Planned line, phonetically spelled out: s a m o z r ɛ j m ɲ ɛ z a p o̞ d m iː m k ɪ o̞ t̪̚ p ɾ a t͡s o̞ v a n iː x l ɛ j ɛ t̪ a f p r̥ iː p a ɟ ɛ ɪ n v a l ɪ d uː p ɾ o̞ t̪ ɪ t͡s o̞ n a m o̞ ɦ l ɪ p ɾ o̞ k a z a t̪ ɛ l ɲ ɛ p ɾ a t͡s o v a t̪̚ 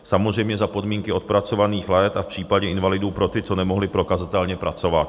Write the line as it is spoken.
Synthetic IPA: s a m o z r ɛ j m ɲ ɛ z a p o̞ d m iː ŋ k ɪ o̞ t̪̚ p ɾ a t͡s o̞ v a n iː x l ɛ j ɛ t̪ a f p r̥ iː p a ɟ ɛ ɪ n v a l ɪ d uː p ɾ o̞ t̪ ɪ t͡s o̞ n ɛ m o̞ ɦ l ɪ p ɾ o̞ k a z a t̪ ɛ l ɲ ɛ p ɾ a t͡s o v a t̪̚